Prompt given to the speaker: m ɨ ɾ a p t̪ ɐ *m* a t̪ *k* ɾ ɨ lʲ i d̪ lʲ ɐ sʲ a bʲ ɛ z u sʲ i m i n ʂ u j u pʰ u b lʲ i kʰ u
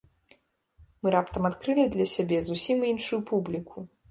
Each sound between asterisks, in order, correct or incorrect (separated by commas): correct, correct